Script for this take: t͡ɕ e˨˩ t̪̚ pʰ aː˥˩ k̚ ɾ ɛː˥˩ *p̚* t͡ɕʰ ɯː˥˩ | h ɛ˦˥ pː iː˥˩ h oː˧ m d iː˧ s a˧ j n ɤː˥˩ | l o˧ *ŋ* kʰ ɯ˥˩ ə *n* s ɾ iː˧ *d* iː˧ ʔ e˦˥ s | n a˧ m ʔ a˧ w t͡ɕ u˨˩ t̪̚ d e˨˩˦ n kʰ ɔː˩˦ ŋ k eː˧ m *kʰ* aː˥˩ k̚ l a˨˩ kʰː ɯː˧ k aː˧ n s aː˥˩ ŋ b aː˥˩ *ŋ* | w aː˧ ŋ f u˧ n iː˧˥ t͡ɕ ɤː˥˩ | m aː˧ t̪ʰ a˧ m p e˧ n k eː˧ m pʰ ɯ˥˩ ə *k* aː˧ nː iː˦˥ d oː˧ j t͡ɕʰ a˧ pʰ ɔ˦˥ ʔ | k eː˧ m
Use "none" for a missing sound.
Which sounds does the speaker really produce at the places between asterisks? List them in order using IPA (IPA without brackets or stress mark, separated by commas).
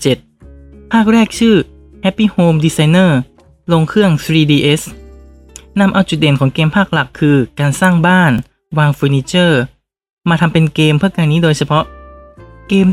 k̚, ŋ, ŋ, d, pʰ, n, k